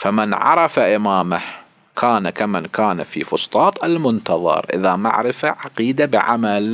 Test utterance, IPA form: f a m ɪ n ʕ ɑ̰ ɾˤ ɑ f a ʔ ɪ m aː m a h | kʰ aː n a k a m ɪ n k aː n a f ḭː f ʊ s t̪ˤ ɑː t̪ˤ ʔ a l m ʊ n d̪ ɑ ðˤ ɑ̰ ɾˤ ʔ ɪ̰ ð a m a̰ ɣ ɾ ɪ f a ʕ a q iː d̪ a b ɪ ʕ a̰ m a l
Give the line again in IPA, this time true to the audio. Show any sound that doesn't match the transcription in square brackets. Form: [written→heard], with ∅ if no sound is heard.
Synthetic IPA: f a m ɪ n ʕ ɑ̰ ɾˤ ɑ f a ʔ ɪ m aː m a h | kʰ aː n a k a m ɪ n k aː n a f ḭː f ʊ s t̪ˤ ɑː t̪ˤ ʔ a l m ʊ n [d̪→t̪] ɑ ðˤ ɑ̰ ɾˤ ʔ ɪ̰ ð a m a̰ [ɣ→ʕ] ɾ ɪ f a ʕ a q iː d̪ a b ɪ ʕ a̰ m a l